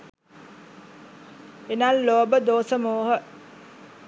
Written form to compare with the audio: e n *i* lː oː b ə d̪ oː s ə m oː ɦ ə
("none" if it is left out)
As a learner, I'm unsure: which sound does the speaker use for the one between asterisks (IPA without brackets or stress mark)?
a